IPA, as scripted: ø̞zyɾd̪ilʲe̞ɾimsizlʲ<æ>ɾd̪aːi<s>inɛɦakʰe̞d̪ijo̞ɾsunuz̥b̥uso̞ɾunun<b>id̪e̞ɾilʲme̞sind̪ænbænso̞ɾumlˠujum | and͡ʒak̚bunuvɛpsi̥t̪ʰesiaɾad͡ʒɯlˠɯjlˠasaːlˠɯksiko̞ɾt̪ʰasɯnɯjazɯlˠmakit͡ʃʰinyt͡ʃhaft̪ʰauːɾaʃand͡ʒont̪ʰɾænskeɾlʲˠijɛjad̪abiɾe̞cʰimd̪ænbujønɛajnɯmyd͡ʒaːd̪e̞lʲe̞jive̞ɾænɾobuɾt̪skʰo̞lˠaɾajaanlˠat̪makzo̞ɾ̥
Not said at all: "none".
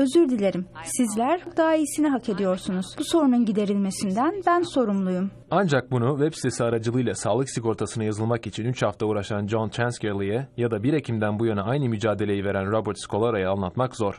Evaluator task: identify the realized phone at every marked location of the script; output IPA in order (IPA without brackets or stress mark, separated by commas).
æ, s, ɟ